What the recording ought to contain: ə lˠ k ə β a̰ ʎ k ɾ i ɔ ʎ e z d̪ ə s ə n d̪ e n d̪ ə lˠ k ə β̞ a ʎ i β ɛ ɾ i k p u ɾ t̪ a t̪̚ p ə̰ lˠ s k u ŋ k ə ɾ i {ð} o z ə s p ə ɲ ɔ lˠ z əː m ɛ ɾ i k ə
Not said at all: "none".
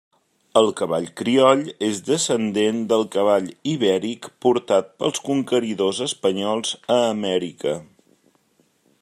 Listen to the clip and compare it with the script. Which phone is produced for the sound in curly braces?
ð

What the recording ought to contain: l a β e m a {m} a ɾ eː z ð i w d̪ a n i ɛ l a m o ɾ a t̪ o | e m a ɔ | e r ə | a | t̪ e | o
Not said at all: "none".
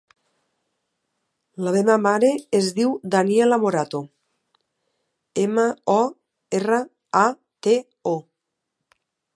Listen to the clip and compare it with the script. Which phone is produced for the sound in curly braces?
m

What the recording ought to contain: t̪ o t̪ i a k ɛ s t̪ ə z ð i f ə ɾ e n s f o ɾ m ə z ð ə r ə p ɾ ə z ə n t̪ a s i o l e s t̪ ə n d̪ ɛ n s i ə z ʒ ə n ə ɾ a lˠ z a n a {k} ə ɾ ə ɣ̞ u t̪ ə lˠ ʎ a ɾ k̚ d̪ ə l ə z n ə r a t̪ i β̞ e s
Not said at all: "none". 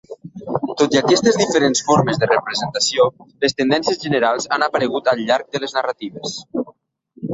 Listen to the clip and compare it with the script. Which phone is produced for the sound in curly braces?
p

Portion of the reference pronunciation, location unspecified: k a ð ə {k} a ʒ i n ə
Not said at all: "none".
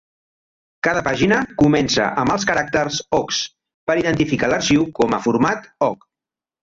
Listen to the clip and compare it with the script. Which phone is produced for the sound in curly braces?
p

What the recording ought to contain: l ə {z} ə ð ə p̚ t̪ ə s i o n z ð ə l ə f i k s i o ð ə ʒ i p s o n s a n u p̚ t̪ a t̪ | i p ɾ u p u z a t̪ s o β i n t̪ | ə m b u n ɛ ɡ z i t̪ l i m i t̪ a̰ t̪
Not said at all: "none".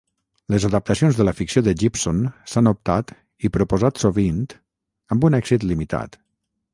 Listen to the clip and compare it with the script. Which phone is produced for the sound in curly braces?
z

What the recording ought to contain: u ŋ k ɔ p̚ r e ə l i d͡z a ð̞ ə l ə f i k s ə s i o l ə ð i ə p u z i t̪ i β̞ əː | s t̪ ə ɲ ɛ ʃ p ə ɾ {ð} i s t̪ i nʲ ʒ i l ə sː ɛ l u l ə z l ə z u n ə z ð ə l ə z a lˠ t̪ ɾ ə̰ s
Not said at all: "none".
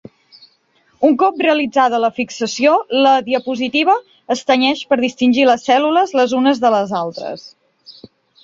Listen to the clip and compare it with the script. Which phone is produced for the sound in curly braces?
ð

